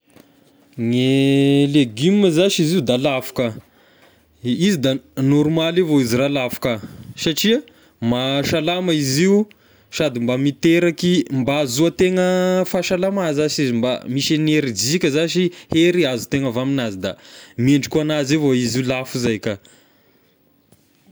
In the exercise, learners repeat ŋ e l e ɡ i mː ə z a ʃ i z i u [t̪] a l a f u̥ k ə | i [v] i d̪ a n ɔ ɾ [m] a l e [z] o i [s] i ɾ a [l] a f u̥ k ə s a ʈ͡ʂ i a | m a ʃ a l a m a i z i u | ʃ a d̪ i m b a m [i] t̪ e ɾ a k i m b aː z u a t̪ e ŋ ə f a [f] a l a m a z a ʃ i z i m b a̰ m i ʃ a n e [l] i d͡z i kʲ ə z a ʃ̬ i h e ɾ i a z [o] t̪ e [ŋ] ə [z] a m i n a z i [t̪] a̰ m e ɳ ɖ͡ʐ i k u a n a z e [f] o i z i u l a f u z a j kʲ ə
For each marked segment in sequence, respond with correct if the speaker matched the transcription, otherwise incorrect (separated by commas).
incorrect, incorrect, correct, incorrect, incorrect, correct, correct, incorrect, incorrect, incorrect, correct, incorrect, incorrect, incorrect